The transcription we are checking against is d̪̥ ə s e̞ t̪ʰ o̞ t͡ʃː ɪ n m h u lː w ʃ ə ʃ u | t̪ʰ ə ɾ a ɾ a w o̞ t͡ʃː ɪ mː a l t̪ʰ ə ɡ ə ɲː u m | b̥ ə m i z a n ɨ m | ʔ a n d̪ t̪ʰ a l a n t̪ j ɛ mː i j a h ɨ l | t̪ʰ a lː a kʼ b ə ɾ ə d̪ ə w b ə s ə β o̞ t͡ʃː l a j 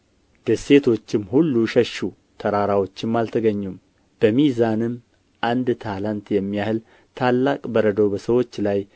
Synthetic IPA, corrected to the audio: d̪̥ ə s e̞ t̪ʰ o̞ t͡ʃː ɪ m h u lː u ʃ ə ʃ u | t̪ʰ ə ɾ a ɾ a w o̞ t͡ʃː ɪ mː a l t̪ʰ ə ɡ ə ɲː u m | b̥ ə m i z a n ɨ m | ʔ a n d̪ t̪ʰ a l a n t̪ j ɛ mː i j a h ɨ l | t̪ʰ a lː a kʼ b ə ɾ ə d̪ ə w b ə s ə w o̞ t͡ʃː l a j